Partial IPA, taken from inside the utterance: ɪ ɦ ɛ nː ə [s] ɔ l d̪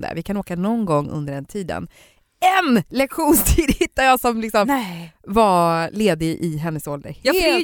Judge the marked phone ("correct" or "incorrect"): correct